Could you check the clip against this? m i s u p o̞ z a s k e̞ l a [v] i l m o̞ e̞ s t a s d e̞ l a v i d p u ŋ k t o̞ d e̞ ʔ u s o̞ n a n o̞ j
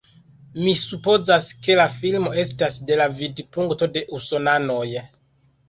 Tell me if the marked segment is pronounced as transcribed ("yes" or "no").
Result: no